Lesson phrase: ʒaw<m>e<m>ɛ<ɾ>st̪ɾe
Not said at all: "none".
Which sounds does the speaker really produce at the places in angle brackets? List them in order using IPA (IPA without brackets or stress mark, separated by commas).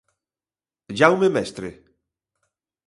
m, m, none